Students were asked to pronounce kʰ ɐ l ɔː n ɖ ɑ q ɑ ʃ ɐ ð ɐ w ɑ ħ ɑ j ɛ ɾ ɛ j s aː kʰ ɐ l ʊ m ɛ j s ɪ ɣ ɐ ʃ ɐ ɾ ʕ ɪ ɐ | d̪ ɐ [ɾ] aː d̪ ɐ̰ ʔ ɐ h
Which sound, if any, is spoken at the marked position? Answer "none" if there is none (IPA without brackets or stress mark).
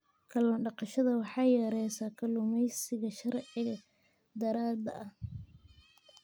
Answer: ɾ